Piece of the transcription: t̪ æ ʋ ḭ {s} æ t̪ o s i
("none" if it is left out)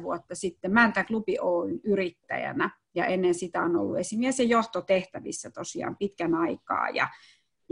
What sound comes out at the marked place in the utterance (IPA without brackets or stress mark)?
sː